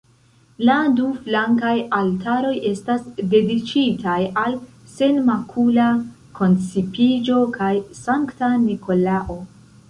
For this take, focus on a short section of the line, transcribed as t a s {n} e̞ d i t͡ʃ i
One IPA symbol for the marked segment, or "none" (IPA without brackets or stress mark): d